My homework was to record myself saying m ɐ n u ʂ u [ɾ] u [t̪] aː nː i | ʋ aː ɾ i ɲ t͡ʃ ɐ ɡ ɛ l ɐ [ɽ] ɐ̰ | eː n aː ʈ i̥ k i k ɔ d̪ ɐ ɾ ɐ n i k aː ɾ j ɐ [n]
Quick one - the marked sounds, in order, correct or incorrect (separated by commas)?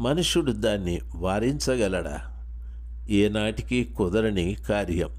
incorrect, incorrect, correct, incorrect